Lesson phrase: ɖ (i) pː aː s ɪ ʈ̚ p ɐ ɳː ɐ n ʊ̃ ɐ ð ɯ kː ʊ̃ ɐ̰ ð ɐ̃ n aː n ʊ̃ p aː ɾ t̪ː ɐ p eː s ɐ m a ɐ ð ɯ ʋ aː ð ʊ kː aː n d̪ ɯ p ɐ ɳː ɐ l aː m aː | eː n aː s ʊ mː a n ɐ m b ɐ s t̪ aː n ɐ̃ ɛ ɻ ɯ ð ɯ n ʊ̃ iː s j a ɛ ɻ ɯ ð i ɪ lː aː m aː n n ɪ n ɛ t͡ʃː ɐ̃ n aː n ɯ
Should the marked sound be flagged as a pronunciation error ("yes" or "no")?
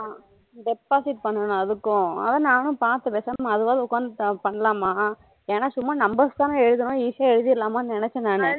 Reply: yes